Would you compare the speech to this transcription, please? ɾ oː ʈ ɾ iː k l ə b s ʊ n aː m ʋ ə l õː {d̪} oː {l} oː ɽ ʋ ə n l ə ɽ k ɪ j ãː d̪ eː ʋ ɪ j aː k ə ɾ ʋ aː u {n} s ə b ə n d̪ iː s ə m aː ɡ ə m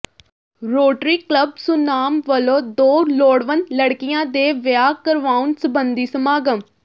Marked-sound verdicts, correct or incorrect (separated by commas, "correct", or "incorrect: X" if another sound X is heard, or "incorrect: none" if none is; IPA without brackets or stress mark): correct, correct, correct